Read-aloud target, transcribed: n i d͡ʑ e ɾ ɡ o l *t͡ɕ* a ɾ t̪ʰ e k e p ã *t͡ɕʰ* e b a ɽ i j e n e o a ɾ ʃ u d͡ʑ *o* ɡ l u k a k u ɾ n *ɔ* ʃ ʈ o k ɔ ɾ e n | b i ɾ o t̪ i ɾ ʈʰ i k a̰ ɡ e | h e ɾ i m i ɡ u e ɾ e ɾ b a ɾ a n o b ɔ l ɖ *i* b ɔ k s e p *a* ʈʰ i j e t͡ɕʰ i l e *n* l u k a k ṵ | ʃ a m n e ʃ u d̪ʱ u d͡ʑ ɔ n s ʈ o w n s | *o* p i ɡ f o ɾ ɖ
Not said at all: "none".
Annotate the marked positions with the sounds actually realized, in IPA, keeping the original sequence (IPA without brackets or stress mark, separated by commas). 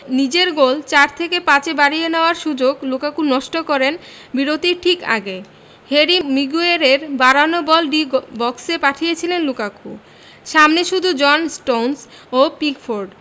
t͡ɕ, t͡ɕ, o, ɔ, i, a, n, o